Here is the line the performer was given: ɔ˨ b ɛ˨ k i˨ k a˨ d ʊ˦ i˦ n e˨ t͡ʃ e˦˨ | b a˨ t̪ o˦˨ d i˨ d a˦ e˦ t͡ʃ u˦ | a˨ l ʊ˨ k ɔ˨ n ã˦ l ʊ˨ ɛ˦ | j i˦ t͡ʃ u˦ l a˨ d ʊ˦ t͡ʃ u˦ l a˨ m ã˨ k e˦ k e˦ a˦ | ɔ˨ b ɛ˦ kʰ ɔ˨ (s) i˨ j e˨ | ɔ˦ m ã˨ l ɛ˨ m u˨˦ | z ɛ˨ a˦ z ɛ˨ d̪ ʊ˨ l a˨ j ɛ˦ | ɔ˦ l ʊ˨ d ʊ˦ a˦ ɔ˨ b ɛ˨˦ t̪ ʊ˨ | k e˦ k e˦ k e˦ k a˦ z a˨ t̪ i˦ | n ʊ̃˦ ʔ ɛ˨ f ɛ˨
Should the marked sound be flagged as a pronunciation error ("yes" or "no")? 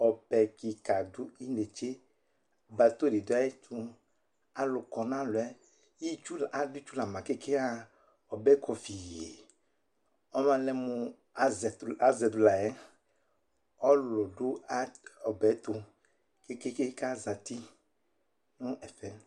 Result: yes